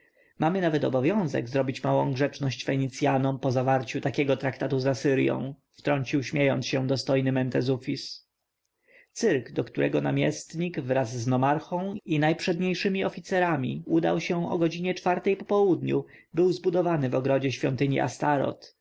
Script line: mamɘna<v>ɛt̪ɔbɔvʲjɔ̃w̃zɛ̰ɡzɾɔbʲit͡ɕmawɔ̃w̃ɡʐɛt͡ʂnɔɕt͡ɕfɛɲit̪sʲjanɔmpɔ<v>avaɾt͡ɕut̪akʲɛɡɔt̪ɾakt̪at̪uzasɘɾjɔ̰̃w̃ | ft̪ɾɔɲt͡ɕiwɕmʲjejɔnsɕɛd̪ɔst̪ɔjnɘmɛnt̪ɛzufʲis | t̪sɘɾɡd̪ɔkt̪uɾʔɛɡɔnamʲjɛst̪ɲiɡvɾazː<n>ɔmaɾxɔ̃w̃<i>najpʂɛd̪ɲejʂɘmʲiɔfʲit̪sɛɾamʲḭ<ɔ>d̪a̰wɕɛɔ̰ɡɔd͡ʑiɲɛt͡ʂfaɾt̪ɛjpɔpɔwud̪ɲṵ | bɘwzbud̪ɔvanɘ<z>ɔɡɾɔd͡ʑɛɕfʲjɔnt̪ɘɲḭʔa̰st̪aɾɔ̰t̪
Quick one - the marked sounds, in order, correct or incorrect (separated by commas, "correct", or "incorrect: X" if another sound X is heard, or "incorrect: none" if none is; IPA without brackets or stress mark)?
correct, incorrect: z, correct, correct, incorrect: u, incorrect: v